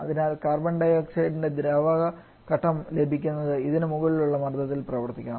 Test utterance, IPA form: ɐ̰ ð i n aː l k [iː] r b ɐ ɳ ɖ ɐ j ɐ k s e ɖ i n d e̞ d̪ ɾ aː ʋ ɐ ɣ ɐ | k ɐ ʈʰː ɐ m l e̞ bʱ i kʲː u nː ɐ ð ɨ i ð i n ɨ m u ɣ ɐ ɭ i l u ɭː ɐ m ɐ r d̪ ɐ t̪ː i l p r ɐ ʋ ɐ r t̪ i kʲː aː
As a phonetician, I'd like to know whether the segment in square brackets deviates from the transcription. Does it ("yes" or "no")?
yes